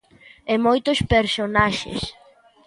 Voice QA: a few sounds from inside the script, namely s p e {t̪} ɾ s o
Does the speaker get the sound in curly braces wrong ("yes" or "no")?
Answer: yes